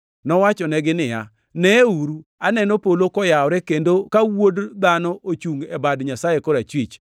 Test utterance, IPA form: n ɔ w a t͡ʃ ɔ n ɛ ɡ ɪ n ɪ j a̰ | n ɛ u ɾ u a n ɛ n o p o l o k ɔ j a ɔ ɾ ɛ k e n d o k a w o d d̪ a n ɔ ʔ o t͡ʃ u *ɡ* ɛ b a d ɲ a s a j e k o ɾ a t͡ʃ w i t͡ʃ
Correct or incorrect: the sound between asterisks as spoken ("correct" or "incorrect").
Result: incorrect